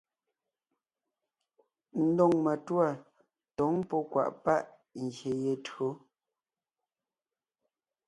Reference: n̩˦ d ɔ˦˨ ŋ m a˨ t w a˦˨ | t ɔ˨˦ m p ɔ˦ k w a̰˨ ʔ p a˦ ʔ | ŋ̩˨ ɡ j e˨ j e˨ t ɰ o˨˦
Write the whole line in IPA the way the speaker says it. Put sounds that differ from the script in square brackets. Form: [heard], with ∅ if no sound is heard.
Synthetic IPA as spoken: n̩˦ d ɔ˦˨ ŋ m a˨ t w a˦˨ | t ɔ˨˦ [ŋ] p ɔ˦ k w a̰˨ ʔ p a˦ ʔ | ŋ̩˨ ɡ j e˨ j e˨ t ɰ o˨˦

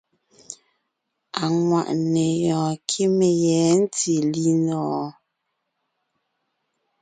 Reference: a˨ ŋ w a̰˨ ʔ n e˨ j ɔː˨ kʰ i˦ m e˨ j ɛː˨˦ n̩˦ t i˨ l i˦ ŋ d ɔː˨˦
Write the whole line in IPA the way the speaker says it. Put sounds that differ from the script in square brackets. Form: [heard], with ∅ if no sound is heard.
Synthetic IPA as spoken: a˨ ŋ w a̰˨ ʔ n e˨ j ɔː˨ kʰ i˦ m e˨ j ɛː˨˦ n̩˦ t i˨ l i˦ [n] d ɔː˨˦

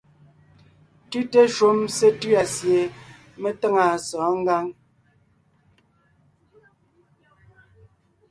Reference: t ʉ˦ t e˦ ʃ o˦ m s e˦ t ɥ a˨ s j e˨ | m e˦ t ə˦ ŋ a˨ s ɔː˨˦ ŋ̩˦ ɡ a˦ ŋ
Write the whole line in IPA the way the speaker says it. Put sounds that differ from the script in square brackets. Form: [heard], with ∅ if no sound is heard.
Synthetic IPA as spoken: t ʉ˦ t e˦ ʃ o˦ m s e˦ t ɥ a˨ s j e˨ | m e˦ t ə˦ ŋ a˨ s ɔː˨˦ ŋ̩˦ ɡ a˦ ŋ

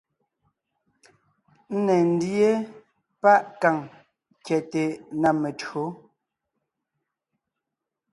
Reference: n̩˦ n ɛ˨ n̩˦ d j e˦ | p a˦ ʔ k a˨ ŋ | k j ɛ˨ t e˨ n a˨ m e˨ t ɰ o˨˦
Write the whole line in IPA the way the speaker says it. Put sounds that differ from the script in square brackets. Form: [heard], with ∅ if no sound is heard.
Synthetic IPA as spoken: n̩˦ n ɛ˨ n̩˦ d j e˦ | p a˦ ʔ k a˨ ŋ | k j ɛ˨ t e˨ n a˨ m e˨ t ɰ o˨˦

